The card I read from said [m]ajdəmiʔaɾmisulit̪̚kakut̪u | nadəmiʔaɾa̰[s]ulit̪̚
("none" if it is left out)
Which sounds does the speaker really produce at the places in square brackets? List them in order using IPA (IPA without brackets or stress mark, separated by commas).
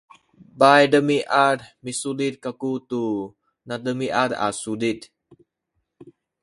b, s